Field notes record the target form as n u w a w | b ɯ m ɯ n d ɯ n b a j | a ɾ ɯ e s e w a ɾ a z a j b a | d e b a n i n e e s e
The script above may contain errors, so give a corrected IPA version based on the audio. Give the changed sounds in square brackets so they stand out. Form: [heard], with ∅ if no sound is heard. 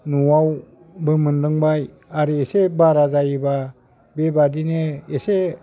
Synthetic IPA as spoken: n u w a w | b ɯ m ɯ n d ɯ [ŋ] b a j | a ɾ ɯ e s e [b] a ɾ a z a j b a | [b] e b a [d] i n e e s e